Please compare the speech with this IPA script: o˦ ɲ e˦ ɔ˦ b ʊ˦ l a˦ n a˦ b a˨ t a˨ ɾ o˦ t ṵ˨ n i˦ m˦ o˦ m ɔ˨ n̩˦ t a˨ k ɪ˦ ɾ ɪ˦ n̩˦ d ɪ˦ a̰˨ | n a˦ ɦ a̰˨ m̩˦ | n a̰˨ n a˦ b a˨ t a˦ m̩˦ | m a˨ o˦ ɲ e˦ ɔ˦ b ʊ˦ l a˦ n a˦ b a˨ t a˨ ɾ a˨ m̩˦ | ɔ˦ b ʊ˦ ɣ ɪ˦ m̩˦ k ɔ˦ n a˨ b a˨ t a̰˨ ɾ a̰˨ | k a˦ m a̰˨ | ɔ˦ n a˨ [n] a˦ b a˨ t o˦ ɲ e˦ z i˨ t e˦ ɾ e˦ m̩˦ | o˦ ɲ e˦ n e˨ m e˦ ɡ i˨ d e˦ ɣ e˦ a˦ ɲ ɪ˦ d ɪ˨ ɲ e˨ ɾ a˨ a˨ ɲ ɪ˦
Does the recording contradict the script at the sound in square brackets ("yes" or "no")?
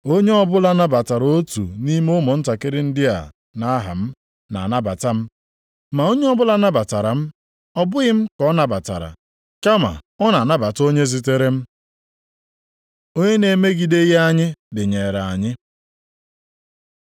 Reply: no